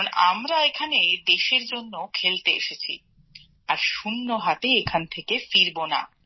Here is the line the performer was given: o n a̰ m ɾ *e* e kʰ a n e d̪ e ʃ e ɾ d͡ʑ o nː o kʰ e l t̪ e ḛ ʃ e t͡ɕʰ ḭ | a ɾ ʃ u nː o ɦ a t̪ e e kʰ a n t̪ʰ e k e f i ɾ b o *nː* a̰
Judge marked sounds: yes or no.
no, no

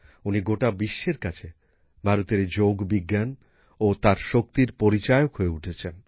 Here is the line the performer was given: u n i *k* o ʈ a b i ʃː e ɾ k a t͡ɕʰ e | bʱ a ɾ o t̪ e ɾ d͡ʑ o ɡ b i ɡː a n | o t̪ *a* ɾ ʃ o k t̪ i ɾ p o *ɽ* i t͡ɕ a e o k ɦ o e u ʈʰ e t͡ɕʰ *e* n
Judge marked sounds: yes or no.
no, yes, no, yes

